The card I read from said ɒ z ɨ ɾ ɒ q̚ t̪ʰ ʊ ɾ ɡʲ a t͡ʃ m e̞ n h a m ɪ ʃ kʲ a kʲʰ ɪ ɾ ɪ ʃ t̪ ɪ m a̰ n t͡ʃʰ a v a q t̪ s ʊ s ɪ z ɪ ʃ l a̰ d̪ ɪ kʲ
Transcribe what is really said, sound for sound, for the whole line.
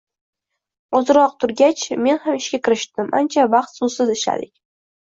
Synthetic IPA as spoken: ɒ z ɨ ɾ ɒ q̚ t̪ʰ ʊ ɾ ɡʲ a t͡ʃ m e̞ n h a m ɪ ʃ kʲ a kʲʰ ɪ ɾ ɪ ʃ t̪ ɪ m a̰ n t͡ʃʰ a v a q t̪ s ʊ s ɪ z ɪ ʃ l a̰ d̪ ɪ kʲ

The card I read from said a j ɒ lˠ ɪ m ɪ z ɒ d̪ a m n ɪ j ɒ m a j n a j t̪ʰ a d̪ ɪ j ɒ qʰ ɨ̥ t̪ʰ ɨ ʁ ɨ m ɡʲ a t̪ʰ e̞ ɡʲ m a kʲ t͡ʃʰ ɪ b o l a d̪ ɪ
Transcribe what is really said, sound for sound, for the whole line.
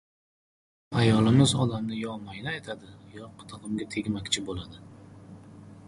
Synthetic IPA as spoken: a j ɒ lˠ ɪ m ɪ z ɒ d̪ a m n ɪ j ɒ m a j n a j t̪ʰ a d̪ ɪ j ɒ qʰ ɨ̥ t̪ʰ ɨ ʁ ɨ m ɡʲ a t̪ʰ e̞ ɡʲ m a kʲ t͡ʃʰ ɪ b o l a d̪ ɪ

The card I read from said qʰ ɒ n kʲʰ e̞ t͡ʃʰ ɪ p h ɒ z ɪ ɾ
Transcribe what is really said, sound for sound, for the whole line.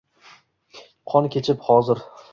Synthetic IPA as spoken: qʰ ɒ n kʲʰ e̞ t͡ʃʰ ɪ p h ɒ z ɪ ɾ

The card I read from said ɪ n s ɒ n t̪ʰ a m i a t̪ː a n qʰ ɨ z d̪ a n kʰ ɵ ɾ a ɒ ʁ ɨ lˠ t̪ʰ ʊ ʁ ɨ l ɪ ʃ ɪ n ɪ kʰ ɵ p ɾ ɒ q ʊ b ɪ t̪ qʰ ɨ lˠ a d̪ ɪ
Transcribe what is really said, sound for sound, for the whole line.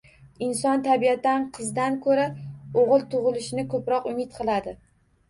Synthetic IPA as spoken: ɪ n s ɒ n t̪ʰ a b i a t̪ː a n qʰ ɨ z d̪ a n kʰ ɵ ɾ a o ʁ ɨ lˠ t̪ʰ ʊ ʁ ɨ l ɪ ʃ ɪ n ɪ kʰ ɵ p ɾ ɒ q ʊ m ɪ t̪ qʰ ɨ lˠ a d̪ ɪ

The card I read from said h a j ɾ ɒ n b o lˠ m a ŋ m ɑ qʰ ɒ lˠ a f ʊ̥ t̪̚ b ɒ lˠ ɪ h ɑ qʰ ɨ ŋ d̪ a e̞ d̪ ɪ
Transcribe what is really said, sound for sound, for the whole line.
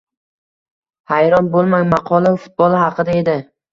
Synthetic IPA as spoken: h a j ɾ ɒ n b o lˠ m a ŋ m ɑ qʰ ɒ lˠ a f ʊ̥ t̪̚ b ɒ lˠ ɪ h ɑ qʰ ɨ d̪ a e̞ d̪ ɪ

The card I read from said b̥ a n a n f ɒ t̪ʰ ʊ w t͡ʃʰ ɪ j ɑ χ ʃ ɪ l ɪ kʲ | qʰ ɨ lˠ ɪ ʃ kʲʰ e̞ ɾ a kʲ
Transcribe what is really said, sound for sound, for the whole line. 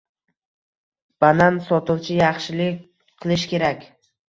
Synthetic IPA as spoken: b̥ a n a n s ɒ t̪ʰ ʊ w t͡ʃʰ ɪ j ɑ χ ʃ ɪ l ɪ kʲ | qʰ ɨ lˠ ɪ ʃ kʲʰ e̞ ɾ a kʲ

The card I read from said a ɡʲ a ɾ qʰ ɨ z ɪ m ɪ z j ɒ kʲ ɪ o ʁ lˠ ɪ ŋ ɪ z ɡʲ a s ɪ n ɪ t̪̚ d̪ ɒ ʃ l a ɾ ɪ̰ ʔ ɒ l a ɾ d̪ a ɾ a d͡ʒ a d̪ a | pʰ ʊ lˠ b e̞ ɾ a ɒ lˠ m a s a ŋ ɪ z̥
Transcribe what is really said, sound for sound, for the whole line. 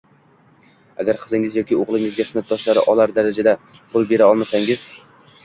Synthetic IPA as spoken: a ɡʲ a ɾ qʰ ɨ z ɪ ŋ ɪ z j ɒ kʲ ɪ o ʁ lˠ ɪ ŋ ɪ z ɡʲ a s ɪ n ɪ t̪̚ d̪ ɒ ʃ l a ɾ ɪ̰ ʔ ɒ l a ɾ d̪ a ɾ a d͡ʒ a d̪ a | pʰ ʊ lˠ b e̞ ɾ a ɒ lˠ m a s a ŋ ɪ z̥

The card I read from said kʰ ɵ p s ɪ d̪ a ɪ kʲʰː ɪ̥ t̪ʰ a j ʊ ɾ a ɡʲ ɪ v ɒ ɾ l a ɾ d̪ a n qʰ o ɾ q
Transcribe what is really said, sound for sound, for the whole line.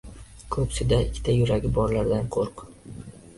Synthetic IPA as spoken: kʰ ɵ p s ɪ d̪ a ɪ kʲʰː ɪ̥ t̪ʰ a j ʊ ɾ a ɡʲ ɪ b ɒ ɾ l a ɾ d̪ a n qʰ o ɾ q

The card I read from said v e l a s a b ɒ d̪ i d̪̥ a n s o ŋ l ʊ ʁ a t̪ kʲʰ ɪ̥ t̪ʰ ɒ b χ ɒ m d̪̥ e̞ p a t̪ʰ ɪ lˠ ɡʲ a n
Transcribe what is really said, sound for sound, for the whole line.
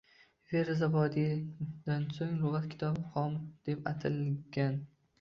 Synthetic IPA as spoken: v e ɾ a z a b ɒ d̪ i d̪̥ a n s o ŋ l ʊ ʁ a t̪ kʲʰ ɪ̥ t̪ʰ ɒ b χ ɒ m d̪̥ e̞ p a t̪ʰ ɪ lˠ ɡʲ a n

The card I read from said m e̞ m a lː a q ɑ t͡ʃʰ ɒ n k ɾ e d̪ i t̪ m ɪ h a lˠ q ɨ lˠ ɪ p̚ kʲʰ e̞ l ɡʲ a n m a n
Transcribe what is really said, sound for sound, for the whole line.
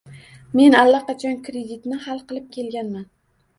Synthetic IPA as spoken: m e̞ n a lː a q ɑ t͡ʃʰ ɒ n k ɾ e d̪ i t̪ n ɪ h a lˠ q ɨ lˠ ɪ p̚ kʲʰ e̞ l ɡʲ a n m a n

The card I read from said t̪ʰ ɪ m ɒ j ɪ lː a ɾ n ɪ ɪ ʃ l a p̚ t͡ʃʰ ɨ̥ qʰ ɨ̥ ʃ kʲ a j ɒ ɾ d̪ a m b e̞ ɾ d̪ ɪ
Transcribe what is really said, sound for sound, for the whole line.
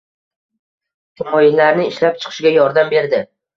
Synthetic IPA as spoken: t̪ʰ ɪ m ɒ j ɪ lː a ɾ n ɪ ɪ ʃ l a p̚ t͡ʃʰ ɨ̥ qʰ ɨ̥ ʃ ɡʲ a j ɒ ɾ d̪ a m b e̞ ɾ d̪ ɪ

